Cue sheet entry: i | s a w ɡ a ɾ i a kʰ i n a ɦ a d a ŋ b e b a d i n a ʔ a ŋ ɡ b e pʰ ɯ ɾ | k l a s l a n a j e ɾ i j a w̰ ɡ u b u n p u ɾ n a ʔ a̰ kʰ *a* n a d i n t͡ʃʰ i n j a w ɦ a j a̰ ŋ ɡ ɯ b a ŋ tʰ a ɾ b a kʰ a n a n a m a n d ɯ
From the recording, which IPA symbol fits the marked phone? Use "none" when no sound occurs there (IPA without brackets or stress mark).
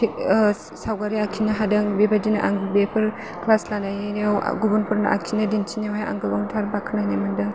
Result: i